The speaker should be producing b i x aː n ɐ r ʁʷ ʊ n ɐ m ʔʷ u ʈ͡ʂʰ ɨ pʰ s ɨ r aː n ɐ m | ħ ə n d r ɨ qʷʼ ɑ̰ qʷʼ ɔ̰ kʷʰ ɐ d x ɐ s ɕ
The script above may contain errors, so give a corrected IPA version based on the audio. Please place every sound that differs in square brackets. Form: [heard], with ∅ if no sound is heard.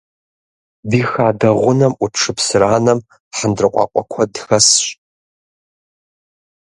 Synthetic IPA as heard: b i x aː [d] ɐ [∅] ʁʷ ʊ n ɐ m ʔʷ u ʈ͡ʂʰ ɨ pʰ s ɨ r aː n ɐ m | ħ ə n d r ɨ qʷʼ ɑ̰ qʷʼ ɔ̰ kʷʰ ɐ d x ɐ s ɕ